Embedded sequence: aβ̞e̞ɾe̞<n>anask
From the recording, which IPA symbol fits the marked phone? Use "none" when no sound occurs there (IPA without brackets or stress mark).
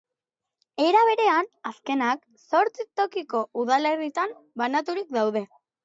none